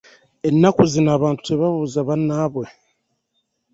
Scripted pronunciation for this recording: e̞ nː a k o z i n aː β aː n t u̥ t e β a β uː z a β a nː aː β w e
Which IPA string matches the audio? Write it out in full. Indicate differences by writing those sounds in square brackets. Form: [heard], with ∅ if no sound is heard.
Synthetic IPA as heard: e̞ nː a k [u] z i n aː β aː n t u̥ t e β a β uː z a β a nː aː β w e